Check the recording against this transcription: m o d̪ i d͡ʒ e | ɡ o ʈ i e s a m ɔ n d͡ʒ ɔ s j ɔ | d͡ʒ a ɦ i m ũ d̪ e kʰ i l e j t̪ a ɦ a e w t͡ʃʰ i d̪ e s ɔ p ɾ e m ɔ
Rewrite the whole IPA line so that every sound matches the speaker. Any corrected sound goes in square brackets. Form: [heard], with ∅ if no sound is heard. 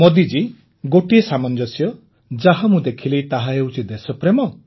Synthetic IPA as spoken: m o d̪ i d͡ʒ [i] | ɡ o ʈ i e s a m ɔ n d͡ʒ ɔ s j ɔ | d͡ʒ a ɦ [a] m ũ d̪ e kʰ i l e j t̪ a ɦ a e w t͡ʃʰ i d̪ e s ɔ p ɾ e m ɔ